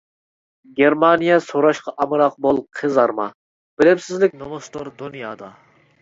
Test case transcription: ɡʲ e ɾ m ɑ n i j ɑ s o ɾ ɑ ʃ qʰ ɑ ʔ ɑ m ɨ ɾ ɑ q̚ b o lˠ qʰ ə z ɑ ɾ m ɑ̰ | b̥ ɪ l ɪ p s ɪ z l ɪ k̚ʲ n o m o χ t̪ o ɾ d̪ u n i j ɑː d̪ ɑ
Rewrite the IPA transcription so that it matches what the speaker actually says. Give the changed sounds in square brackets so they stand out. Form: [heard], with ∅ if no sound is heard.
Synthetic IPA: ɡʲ e ɾ m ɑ n i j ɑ s o ɾ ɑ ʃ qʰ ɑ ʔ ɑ m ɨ ɾ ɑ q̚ b o lˠ qʰ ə z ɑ ɾ m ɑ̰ | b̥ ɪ l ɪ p s ɪ z l ɪ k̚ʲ n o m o [s] t̪ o ɾ d̪ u n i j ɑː d̪ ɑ